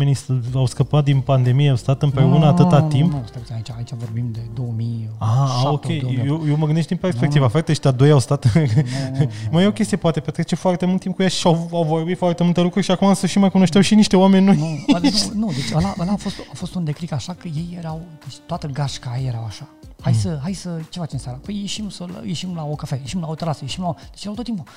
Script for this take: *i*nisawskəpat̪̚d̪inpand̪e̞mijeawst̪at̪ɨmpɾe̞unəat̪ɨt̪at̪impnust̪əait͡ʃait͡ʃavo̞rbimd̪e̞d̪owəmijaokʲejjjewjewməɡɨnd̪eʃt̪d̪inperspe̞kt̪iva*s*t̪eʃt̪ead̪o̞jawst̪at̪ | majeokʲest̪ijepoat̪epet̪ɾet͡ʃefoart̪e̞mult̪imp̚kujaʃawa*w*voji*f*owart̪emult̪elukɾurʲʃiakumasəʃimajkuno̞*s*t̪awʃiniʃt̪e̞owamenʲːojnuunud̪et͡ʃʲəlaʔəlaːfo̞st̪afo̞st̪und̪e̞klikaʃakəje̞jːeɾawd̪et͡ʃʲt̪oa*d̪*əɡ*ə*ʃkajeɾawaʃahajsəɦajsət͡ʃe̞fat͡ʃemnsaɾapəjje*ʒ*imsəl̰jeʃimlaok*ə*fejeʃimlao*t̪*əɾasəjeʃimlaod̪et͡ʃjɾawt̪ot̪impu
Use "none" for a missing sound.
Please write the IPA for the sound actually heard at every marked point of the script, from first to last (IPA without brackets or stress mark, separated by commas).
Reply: e, f, w, f, ʃ, t̪, a, ʃ, a, t̪